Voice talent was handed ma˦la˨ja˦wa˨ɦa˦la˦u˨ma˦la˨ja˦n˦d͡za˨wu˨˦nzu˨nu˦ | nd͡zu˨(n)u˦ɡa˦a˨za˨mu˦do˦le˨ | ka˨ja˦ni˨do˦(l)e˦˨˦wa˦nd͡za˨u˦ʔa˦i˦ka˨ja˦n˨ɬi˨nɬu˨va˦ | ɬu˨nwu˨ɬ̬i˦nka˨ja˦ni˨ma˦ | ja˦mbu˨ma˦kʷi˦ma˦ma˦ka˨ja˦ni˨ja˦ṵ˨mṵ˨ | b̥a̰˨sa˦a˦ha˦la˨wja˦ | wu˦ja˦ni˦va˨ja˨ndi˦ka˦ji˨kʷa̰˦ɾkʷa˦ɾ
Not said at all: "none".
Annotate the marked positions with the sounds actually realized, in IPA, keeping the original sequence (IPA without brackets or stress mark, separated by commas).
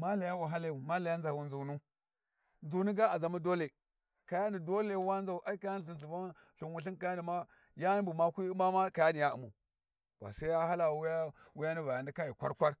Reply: n, l